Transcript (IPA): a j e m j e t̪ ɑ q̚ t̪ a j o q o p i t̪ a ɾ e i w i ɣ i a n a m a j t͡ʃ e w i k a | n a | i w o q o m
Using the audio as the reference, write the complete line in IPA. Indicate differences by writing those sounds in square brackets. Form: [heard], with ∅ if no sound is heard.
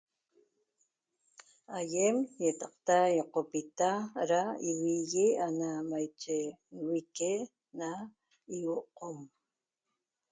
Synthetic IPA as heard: a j e m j e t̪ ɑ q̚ t̪ a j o q o p i t̪ a ɾ [a] i w i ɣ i a n a m a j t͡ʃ e w i k [e] | n a | i w o q o m